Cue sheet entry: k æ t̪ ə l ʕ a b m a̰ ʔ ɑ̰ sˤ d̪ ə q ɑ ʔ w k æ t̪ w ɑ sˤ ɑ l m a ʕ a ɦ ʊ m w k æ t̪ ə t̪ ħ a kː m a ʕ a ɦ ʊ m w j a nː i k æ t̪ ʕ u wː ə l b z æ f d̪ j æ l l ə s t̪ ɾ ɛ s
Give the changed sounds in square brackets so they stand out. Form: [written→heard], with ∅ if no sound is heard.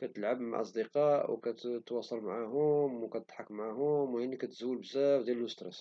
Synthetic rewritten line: k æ t̪ ə l ʕ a b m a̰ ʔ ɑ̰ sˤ d̪ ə q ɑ ʔ w k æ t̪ w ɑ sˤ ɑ l m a ʕ a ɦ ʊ m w k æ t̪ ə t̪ ħ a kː m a ʕ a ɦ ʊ m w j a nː i k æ t̪ [ʕ→z] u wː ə l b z æ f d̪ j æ l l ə s t̪ ɾ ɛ s